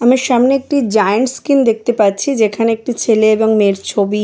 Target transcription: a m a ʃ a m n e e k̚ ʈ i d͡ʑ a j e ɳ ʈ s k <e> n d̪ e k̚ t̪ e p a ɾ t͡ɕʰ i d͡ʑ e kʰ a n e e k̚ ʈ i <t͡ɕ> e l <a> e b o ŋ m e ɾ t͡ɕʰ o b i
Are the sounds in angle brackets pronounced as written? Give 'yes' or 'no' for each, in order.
no, no, no

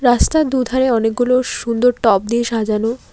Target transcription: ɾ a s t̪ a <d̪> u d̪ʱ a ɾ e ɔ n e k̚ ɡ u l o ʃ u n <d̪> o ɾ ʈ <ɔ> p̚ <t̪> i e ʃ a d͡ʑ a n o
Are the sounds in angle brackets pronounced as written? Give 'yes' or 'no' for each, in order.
yes, yes, yes, no

